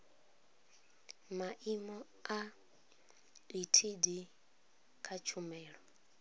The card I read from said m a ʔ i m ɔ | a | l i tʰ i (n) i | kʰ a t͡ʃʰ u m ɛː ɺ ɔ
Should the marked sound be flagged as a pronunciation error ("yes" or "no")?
yes